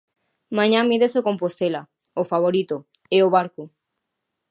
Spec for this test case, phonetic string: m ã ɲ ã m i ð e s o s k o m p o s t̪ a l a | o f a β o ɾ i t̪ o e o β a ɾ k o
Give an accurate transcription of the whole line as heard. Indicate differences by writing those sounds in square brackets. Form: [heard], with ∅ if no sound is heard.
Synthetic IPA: m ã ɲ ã m i ð e s o [∅] k o m p o s t̪ [e] l a | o f a β o ɾ i t̪ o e o β a ɾ k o

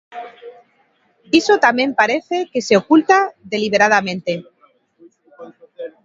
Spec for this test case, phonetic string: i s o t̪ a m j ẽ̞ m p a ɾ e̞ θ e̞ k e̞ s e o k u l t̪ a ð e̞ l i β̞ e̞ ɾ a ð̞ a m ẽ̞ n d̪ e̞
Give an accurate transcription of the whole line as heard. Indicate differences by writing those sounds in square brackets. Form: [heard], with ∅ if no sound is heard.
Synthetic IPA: i s o t̪ a m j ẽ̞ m p a ɾ e̞ θ e̞ k e̞ s e o k u l t̪ a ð e̞ l i β̞ e̞ ɾ a ð̞ a m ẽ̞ n [t̪] e̞

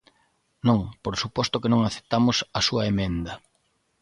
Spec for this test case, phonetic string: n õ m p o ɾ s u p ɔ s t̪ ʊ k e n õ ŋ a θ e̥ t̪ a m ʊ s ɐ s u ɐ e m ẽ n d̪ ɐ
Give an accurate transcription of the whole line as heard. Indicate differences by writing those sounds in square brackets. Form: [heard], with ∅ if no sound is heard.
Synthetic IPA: n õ [ŋ] p o ɾ s u p ɔ s t̪ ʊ k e n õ ŋ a θ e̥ t̪ a m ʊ s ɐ s u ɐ e m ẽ n d̪ ɐ

